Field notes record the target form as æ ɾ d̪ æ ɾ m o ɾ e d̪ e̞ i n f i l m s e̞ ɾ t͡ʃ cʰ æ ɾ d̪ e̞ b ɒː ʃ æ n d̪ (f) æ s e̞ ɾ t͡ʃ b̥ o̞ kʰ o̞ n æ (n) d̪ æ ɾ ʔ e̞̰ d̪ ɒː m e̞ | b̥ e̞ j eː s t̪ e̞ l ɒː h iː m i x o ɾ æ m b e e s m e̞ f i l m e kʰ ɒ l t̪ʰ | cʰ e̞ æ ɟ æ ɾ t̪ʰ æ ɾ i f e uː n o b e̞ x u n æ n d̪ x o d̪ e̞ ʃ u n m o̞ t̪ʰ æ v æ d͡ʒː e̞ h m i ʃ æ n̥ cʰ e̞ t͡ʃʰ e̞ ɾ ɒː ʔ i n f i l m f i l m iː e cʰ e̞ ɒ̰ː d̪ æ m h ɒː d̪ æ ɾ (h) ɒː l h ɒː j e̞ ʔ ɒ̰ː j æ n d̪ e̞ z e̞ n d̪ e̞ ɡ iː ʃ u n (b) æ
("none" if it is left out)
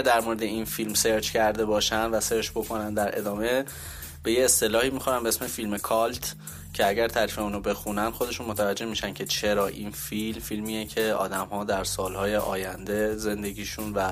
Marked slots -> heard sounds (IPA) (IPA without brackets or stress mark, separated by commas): v, n, s, v